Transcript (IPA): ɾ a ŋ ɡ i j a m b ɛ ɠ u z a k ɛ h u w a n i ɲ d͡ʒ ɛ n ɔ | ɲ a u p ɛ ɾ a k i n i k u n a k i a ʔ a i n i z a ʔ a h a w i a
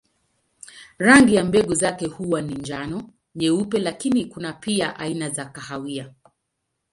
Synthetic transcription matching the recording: ɾ a ŋ ɡ i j a m b ɛ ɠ u z a k ɛ h u w a n i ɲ d͡ʒ a n ɔ | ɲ ɛ u p ɛ l a k i n i k u n a p i a ʔ a i n a z a k a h a w i a

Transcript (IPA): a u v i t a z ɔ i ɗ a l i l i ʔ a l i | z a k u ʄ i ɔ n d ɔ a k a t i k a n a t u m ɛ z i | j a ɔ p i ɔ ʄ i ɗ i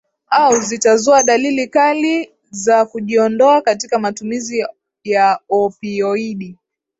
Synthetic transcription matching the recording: a u z i t a z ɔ a ɗ a l i l i k a l i | z a k u ʄ i ɔ n d ɔ a k a t i k a m a t u m i z i | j a ɔ p i ɔ i ɗ i

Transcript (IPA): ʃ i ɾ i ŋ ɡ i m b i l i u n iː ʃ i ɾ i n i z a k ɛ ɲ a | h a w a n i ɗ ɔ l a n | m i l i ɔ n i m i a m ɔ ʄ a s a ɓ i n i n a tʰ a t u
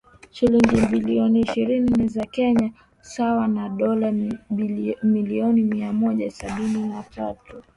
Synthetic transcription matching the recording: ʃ i l i ŋ ɡ i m b i l i ɔ n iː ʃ i ɾ i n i z a k ɛ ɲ a | s a w a n a ɗ ɔ l a | m i l i ɔ n i m i a m ɔ ʄ a s a ɓ i n i n a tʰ a t u

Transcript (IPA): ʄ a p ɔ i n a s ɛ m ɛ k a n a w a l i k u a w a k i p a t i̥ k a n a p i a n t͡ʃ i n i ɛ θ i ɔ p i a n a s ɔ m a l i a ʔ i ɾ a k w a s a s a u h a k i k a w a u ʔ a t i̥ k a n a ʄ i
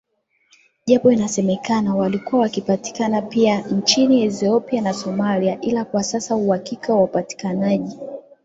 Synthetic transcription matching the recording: ʄ a p ɔ i n a s ɛ m ɛ k a n a w a l i k u a w a k i p a t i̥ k a n a p i a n t͡ʃ i n i ɛ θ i ɔ p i a n a s ɔ m a l i a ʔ i l a k w a s a s a u h a k i k a w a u p a t i̥ k a n a ʄ i

